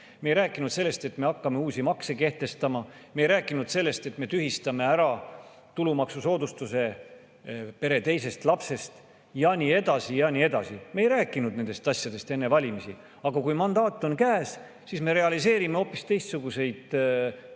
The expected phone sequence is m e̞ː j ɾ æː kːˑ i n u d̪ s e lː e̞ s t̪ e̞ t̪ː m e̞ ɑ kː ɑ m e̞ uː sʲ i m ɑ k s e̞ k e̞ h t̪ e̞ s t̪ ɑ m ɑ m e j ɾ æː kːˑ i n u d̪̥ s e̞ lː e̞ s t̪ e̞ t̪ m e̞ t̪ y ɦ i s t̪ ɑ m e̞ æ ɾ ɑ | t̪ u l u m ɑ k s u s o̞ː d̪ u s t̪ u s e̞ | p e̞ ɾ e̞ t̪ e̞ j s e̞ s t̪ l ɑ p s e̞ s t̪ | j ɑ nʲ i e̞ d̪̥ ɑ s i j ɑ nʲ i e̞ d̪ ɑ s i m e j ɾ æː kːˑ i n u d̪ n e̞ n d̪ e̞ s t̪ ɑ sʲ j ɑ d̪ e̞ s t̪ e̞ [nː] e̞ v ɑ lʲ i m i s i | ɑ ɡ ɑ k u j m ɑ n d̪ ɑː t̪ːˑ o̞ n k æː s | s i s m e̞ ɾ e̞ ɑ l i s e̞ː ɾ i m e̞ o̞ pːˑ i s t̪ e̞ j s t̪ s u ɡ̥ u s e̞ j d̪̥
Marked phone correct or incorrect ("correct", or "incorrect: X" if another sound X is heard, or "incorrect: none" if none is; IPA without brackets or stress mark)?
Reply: correct